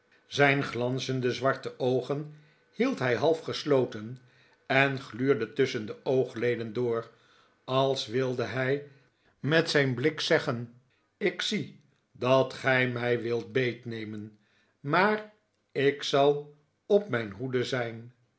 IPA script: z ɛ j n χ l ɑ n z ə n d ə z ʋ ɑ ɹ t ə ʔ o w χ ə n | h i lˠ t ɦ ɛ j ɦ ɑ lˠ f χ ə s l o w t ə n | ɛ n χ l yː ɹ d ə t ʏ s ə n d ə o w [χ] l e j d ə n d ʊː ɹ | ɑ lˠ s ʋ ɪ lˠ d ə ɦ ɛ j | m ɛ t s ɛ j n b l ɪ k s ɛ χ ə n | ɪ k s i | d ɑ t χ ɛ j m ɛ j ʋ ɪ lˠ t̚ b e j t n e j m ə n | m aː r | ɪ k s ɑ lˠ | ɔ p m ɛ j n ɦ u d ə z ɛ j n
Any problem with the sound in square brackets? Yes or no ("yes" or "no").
no